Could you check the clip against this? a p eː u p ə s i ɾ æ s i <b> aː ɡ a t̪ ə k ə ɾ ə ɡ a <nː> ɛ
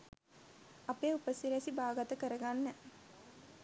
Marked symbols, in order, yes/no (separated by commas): yes, yes